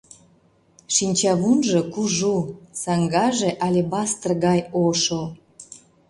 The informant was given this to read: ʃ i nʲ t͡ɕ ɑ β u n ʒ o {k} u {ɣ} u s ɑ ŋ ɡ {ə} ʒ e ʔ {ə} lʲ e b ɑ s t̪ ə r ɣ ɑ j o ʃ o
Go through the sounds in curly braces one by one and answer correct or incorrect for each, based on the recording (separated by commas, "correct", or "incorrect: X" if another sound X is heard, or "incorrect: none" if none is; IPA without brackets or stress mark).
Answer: correct, incorrect: ʒ, incorrect: ɑ, incorrect: ɑ